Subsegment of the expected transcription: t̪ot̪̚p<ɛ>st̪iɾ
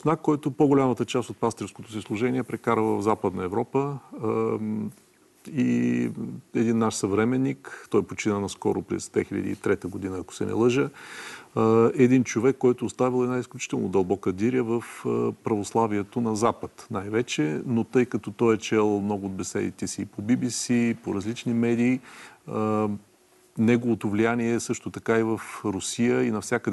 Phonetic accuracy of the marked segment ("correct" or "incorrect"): incorrect